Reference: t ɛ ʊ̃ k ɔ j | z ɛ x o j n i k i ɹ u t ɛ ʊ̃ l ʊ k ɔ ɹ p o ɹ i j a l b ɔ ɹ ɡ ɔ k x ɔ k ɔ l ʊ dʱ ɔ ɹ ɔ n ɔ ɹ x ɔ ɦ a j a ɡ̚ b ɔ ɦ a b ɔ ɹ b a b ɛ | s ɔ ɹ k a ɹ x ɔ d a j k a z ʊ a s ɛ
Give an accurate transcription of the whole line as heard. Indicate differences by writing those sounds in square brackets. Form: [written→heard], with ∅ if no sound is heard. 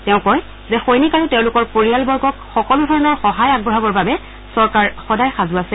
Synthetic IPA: t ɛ ʊ̃ k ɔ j | z ɛ x o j n i k [i→a] ɹ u t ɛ ʊ̃ l ʊ k ɔ ɹ p o ɹ i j a l b ɔ ɹ ɡ ɔ k x ɔ k ɔ l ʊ dʱ ɔ ɹ ɔ n ɔ ɹ x ɔ ɦ a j a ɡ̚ b ɔ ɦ a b ɔ ɹ b a b ɛ | s ɔ ɹ k a ɹ x ɔ d a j [k→x] a z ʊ a s ɛ